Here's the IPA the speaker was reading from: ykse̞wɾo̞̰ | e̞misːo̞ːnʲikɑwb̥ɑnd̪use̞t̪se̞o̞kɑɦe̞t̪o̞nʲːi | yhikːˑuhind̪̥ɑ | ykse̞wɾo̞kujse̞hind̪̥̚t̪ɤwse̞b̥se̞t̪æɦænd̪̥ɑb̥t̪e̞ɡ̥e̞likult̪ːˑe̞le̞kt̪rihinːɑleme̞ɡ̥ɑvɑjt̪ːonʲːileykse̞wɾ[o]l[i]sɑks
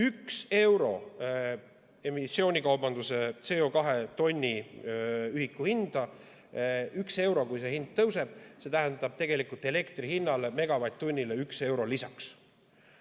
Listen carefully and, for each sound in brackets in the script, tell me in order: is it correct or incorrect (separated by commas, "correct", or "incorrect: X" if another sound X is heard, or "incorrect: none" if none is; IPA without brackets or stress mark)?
correct, correct